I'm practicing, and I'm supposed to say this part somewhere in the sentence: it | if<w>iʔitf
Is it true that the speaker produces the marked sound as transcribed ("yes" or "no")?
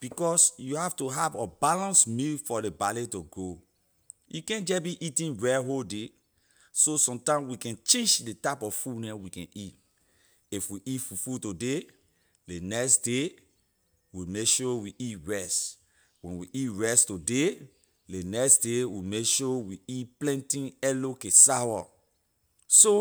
yes